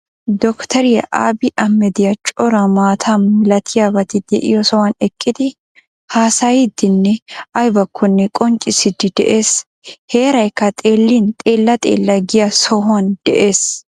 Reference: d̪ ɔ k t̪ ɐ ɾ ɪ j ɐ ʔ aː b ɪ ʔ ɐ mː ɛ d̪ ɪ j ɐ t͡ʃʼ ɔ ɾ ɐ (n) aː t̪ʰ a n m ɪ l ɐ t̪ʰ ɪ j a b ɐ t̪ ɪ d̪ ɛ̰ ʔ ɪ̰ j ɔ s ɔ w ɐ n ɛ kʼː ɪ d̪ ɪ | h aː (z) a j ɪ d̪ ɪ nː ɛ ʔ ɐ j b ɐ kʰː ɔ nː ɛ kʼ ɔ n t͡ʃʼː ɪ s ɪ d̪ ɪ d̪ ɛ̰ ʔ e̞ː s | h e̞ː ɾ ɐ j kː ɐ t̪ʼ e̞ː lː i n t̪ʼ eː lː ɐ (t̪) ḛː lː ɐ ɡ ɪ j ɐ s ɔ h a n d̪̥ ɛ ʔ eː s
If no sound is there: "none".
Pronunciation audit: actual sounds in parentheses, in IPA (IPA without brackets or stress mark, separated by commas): m, s, t̪ʼ